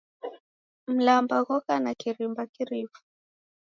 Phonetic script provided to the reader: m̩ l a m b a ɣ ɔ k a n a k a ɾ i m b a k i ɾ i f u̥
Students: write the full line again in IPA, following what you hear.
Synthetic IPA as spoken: m̩ l a m b a ɣ ɔ k a n a k i ɾ i m b a k i ɾ i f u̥